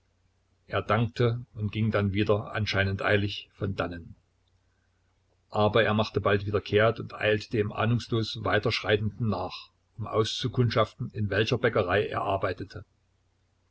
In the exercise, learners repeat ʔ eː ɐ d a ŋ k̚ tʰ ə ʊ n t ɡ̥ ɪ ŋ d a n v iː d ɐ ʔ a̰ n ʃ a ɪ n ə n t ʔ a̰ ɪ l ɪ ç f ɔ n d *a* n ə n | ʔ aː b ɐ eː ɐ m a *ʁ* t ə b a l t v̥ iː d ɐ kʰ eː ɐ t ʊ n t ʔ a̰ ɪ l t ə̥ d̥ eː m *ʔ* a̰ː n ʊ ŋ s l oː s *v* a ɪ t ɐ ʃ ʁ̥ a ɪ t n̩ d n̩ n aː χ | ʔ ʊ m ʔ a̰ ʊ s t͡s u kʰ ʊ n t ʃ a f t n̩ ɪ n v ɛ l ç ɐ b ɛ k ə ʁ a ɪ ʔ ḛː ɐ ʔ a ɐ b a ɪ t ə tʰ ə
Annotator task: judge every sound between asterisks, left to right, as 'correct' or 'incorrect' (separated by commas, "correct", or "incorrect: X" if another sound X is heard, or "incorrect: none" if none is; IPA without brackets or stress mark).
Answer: correct, incorrect: χ, correct, correct